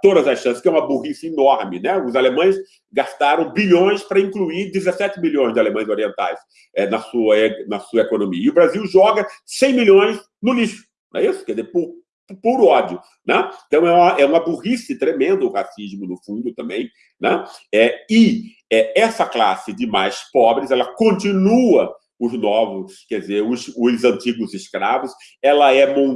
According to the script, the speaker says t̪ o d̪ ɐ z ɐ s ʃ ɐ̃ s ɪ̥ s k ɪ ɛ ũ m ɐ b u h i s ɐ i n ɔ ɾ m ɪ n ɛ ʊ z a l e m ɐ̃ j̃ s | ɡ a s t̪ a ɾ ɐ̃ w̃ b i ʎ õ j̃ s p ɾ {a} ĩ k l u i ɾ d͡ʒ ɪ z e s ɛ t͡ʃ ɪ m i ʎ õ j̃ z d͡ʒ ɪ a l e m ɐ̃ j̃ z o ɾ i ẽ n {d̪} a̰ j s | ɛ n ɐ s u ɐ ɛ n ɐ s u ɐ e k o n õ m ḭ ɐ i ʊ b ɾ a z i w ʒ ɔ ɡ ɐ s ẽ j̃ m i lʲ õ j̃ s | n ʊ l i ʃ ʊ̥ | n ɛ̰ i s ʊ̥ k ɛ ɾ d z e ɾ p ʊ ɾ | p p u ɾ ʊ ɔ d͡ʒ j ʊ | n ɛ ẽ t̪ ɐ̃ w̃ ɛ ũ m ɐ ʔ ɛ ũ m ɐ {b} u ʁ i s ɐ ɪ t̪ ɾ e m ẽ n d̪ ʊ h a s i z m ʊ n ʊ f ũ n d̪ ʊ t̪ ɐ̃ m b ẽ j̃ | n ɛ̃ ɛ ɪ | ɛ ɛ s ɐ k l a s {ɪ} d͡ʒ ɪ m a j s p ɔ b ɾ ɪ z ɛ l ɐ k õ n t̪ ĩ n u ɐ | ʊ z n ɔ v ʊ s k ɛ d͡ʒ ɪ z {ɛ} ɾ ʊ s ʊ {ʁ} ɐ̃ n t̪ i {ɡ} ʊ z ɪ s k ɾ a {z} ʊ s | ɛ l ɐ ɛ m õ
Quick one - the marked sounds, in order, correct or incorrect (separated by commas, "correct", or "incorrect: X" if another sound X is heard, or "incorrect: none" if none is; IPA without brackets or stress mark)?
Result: incorrect: ɐ, incorrect: t̪, correct, correct, incorrect: e, incorrect: z, correct, incorrect: v